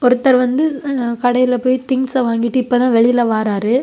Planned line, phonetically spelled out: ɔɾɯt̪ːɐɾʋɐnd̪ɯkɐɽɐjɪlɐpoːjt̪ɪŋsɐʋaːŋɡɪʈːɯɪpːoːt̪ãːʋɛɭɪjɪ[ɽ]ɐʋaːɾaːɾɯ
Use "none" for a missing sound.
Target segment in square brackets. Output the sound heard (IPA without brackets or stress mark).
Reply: l